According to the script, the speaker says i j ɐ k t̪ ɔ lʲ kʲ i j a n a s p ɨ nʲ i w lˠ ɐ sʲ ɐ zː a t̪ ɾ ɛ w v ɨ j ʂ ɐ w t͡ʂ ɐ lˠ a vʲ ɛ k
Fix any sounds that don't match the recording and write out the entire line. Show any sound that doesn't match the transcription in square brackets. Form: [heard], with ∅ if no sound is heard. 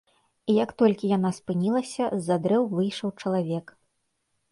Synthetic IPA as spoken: i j ɐ k t̪ ɔ lʲ kʲ i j a n a s p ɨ nʲ i [∅] lˠ ɐ sʲ ɐ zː a [d̪] ɾ ɛ w v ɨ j ʂ ɐ w t͡ʂ ɐ lˠ a vʲ ɛ k